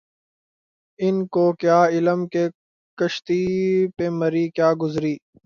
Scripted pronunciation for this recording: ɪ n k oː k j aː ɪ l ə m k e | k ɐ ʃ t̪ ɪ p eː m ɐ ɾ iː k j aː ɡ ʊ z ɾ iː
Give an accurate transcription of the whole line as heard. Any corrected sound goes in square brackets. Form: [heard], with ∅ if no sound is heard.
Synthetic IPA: ɪ n k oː k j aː ɪ l ə m k e | k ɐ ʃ t̪ [i] p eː m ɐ ɾ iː k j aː ɡ ʊ z ɾ iː